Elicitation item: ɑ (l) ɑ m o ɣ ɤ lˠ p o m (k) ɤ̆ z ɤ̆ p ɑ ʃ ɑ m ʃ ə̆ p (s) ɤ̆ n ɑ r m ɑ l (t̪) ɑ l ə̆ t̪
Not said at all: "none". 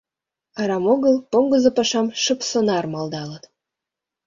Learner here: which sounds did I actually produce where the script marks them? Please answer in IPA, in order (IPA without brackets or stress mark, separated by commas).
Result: ɾ, ɡ, s, d̪